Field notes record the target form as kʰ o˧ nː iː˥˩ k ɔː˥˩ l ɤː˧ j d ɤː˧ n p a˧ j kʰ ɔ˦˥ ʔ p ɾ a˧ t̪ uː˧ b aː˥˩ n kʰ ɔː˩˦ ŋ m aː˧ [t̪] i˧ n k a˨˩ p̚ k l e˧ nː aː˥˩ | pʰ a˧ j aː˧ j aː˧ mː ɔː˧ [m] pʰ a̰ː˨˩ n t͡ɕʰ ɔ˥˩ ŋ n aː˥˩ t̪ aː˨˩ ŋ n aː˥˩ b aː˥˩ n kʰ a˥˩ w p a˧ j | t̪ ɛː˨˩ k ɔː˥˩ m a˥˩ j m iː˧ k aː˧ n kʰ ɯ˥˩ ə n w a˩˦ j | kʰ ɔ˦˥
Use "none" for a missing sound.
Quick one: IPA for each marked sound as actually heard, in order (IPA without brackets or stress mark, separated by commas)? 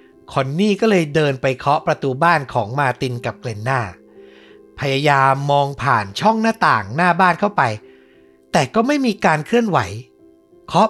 t̪, ŋ